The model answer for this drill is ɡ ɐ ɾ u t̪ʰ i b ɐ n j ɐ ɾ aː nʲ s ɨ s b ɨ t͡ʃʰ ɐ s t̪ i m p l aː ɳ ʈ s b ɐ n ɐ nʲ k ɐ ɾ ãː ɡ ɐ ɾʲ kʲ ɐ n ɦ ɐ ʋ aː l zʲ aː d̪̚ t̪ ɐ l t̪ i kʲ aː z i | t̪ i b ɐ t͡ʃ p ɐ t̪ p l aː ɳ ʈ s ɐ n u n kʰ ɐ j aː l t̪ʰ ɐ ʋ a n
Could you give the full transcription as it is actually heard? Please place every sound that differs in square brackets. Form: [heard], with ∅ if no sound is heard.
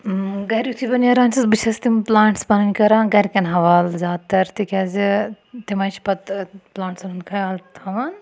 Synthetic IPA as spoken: ɡ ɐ ɾ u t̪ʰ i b ɐ n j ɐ ɾ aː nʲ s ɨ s b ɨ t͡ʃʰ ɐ s t̪ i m p l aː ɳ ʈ s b ɐ n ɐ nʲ k ɐ ɾ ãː ɡ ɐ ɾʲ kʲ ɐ n ɦ ɐ ʋ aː l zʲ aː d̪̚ t̪ ɐ [ɾ] t̪ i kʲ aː z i | t̪ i [m] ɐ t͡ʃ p ɐ t̪ p l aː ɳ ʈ s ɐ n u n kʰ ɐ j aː l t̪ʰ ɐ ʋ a n